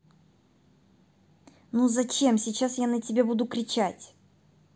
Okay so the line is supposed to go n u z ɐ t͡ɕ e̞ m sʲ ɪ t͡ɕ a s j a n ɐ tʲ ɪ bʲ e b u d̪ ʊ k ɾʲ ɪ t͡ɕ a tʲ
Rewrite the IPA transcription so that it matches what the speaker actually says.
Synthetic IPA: n u z ɐ t͡ɕ e̞ m sʲ ɪ t͡ɕ a s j a n ə tʲ ɪ bʲ e b u d̪ ʊ k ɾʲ ɪ t͡ɕ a tʲ

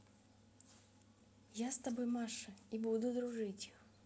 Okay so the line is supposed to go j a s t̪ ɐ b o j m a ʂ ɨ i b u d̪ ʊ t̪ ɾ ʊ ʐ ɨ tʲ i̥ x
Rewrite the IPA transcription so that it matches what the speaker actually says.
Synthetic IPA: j a s t̪ ɐ b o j m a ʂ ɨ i b u d̪ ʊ d̪ ɾ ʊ ʐ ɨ tʲ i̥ x

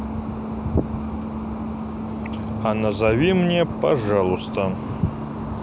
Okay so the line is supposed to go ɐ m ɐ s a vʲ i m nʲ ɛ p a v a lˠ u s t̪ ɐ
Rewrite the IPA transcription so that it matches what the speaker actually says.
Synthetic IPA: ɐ n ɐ z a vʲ i m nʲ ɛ p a ʐ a lˠ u s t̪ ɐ

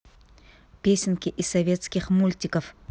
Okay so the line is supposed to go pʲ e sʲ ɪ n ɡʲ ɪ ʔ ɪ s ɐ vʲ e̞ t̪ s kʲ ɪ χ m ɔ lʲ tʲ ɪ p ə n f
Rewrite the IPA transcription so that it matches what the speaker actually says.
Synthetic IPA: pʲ e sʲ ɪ n kʲ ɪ ʔ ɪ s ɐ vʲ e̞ t̪ s kʲ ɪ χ m u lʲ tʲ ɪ k ə f

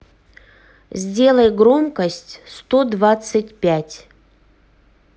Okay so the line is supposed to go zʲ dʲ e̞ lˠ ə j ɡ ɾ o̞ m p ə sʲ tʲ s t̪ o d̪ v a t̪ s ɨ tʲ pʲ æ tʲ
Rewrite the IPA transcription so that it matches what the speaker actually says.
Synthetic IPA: zʲ dʲ e̞ lˠ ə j ɡ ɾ o̞ m k ə sʲ tʲ s t̪ o d̪ v a t̪ s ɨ tʲ pʲ æ tʲ

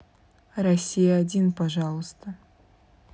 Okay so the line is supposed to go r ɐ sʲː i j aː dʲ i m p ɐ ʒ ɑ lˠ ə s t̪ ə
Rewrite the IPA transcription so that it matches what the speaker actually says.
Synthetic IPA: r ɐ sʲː i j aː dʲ i n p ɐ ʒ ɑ lˠ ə s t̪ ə

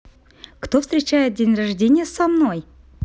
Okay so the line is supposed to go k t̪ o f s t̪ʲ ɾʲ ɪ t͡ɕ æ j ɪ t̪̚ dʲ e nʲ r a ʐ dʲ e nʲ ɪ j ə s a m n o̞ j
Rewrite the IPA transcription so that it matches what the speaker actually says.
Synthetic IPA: k t̪ o f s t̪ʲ ɾʲ ɪ t͡ɕ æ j ɪ t̪̚ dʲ e nʲ r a ʐ dʲ e nʲ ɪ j ə s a m n o̞ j

